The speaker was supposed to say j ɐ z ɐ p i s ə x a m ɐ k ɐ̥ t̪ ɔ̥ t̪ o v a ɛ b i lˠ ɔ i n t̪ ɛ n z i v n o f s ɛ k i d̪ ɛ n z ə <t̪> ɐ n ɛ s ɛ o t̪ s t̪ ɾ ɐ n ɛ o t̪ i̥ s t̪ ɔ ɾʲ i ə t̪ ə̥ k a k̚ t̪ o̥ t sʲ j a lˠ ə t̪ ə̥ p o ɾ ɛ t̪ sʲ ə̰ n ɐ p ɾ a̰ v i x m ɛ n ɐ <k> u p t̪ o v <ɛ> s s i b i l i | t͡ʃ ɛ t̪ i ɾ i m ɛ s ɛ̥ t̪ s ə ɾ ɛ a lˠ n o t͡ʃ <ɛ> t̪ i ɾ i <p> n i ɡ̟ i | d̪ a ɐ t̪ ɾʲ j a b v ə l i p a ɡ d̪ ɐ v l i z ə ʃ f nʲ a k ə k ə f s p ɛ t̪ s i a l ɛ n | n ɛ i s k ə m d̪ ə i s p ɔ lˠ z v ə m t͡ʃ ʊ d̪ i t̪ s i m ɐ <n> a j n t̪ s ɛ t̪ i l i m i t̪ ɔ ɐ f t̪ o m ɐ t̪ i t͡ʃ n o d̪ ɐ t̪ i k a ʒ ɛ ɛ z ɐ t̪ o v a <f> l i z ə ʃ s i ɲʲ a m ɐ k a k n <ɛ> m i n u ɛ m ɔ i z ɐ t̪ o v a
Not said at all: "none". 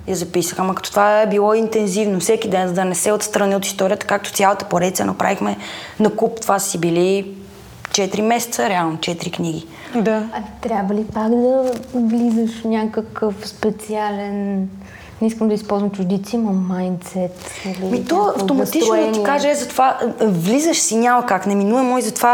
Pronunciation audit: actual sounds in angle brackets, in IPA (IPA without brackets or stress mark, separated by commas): d̪, k, a, ɛ, k, m, v, ɛ